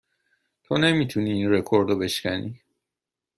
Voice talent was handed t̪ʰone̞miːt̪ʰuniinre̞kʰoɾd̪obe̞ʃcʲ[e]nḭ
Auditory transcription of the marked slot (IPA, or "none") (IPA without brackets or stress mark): æ